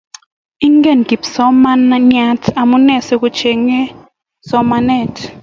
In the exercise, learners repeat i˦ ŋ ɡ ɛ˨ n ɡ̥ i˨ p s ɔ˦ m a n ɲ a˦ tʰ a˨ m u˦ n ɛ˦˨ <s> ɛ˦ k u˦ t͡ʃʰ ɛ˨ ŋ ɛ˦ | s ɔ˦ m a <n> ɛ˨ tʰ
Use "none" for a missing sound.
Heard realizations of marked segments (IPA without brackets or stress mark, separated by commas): s, n